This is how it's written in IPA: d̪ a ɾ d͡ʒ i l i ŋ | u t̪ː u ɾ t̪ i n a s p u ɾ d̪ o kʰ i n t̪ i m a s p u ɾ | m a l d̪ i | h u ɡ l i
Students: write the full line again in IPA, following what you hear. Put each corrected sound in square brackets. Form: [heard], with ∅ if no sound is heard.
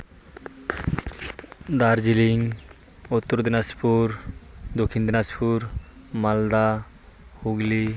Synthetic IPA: d̪ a ɾ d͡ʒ i l i ŋ | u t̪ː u ɾ [d̪] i n a s p u ɾ d̪ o kʰ i n [d̪] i [n] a s p u ɾ | m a l d̪ [a] | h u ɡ l i